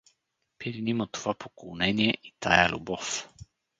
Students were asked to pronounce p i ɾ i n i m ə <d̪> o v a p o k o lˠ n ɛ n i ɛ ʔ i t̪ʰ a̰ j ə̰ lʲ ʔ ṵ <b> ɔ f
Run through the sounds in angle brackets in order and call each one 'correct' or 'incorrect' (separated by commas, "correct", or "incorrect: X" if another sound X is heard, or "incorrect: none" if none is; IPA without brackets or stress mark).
incorrect: t̪, correct